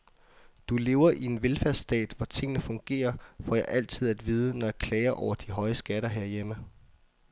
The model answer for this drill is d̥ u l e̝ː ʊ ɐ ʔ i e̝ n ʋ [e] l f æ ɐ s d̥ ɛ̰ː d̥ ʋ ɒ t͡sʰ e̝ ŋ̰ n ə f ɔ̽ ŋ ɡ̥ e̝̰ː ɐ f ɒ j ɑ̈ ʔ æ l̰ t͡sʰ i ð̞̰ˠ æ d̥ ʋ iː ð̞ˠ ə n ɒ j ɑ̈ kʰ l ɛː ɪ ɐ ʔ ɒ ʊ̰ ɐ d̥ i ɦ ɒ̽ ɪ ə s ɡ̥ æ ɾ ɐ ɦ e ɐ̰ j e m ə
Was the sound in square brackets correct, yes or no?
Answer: yes